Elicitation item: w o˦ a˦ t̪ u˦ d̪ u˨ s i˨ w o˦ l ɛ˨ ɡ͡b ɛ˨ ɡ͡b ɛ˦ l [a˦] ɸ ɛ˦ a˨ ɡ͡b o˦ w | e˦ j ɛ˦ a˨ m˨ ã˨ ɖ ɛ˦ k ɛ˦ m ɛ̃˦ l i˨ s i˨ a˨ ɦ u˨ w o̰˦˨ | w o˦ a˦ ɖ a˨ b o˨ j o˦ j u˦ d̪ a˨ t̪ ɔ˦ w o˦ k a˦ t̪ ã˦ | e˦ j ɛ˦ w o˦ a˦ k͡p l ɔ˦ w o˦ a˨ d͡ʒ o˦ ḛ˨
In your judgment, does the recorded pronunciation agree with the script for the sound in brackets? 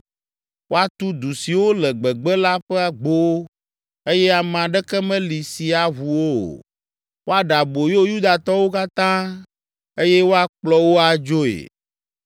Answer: yes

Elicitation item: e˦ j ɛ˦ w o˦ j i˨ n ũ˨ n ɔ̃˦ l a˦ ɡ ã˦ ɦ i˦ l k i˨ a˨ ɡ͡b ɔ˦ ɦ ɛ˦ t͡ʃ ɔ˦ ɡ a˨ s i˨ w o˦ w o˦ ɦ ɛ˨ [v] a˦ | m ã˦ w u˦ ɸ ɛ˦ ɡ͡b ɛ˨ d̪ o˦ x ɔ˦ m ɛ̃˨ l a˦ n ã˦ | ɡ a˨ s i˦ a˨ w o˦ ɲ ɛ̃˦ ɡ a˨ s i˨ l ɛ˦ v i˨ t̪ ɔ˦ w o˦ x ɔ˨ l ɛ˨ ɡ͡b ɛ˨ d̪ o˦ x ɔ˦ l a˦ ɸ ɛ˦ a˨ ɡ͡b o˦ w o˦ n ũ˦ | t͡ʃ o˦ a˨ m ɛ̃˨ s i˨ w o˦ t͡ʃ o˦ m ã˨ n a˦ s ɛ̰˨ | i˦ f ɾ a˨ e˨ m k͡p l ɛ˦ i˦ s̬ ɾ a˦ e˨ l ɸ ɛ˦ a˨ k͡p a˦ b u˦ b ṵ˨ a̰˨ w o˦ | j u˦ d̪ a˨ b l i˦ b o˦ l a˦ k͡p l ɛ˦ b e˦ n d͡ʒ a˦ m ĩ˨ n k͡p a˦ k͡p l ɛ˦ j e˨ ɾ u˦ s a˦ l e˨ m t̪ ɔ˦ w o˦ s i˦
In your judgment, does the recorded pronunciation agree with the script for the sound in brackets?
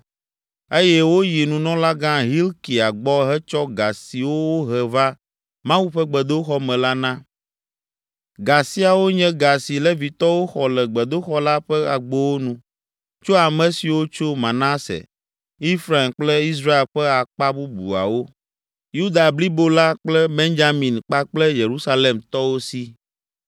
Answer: yes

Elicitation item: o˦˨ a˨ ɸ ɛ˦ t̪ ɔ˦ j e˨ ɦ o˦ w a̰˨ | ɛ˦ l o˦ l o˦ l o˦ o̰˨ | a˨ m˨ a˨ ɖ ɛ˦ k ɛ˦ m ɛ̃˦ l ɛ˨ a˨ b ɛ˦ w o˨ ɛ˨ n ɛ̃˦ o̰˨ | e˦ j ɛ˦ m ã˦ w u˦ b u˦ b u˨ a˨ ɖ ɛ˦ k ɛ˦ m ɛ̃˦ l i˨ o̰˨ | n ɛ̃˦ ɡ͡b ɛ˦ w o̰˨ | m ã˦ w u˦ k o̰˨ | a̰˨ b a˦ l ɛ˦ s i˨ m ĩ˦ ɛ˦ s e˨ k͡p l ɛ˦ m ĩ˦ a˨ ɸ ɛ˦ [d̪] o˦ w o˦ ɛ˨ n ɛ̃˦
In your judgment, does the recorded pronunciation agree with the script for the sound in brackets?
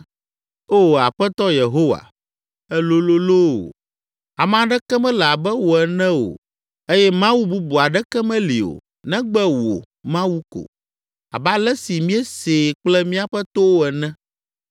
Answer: no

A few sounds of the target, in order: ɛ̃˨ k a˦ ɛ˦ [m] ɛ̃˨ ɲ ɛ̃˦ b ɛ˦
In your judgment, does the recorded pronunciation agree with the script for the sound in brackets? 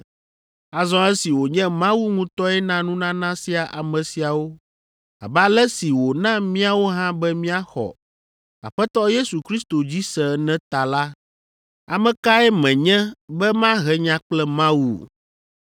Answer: yes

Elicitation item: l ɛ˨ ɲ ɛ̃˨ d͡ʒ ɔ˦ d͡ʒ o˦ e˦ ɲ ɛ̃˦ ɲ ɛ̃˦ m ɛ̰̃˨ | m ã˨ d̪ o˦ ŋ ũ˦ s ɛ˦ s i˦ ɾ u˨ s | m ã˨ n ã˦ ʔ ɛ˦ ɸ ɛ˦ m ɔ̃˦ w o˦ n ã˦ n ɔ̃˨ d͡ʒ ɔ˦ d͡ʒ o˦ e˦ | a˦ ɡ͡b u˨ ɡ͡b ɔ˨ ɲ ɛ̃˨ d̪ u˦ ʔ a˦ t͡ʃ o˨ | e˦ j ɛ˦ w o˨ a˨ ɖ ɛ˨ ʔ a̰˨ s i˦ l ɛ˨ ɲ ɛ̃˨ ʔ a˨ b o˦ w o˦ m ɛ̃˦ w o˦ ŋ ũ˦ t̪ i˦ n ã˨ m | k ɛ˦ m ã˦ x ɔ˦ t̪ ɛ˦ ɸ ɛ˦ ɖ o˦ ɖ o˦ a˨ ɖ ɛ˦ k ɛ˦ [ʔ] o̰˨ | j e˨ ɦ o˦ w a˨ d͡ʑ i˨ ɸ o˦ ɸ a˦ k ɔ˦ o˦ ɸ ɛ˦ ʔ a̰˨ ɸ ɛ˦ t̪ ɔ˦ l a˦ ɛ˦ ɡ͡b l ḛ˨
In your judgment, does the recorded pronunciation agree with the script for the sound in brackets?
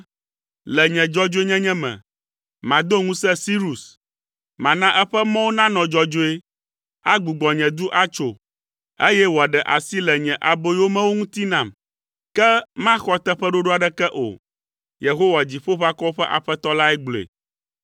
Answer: yes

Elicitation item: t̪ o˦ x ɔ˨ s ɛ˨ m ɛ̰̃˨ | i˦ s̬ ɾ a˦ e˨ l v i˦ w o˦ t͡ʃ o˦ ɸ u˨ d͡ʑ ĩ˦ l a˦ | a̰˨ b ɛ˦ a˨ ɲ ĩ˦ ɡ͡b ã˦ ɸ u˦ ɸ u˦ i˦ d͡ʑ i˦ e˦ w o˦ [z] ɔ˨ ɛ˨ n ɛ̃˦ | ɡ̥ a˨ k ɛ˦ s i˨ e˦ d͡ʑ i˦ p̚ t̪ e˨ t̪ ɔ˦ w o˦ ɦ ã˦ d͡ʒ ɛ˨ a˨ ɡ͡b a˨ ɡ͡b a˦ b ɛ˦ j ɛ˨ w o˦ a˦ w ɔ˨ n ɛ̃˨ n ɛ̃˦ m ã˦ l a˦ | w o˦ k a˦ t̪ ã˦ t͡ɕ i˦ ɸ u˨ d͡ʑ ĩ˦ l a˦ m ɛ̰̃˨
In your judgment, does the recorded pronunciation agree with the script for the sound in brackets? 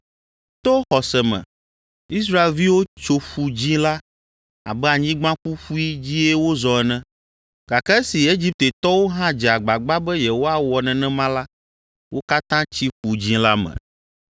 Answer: yes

